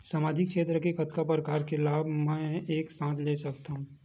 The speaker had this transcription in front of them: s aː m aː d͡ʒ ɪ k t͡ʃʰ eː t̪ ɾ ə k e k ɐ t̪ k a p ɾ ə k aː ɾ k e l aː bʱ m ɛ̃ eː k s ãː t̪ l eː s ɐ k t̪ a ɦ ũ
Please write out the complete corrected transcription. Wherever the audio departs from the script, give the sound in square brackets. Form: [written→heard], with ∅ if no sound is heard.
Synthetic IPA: s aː m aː d͡ʒ ɪ k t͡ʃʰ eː t̪ ɾ ə k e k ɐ t̪ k a p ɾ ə k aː ɾ k e l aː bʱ m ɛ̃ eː k s ãː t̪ l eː s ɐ k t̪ a ɦ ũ